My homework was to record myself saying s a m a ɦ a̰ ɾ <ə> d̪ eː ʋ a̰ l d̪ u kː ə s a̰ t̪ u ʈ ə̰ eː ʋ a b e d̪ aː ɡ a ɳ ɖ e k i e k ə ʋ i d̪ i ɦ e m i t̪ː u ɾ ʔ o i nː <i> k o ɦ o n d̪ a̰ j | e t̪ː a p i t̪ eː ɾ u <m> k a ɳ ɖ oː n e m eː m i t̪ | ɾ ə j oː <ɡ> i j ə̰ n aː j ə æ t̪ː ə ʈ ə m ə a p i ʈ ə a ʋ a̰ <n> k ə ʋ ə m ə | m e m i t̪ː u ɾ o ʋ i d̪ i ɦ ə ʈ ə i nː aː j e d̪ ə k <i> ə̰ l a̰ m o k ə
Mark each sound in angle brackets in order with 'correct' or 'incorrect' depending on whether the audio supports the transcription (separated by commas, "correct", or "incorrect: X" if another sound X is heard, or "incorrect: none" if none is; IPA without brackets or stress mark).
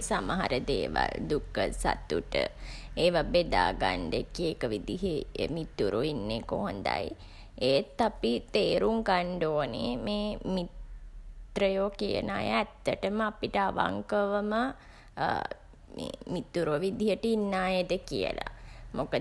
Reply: correct, incorrect: e, incorrect: ŋ, incorrect: k, incorrect: ŋ, correct